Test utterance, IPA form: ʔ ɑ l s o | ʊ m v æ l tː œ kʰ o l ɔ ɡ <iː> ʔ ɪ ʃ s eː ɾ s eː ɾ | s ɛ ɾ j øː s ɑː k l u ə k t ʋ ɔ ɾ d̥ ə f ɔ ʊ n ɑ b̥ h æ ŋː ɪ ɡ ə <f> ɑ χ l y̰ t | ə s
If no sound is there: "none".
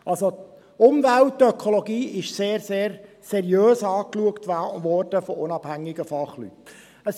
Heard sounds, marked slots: iː, f

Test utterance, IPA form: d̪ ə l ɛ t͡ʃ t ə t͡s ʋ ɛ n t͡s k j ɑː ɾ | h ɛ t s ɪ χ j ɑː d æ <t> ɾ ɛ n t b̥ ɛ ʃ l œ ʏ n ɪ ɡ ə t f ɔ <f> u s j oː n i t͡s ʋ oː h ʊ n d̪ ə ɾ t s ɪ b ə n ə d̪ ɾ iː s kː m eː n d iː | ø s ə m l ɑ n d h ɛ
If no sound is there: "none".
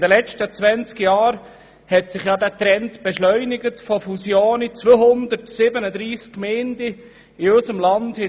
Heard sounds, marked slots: t, f

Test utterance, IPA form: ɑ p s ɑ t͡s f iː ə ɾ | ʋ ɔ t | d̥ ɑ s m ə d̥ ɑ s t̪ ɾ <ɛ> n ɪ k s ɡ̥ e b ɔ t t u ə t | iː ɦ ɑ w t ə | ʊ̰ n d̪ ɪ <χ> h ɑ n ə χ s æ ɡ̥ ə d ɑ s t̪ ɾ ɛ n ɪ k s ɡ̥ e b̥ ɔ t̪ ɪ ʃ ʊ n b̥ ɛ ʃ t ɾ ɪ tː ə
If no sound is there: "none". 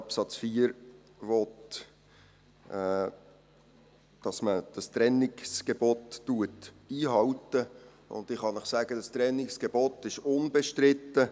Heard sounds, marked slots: ɛ, χ

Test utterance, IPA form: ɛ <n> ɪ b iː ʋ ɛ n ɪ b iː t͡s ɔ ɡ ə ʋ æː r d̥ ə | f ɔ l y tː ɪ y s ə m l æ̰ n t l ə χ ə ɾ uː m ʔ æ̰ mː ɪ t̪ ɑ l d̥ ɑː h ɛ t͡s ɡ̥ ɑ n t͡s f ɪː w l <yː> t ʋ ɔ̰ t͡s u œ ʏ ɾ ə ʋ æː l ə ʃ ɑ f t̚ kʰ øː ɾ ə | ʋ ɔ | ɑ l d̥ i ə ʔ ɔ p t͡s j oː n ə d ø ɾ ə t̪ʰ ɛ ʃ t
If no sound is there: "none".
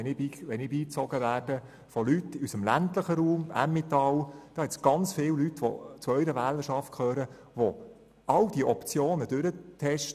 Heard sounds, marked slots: n, y

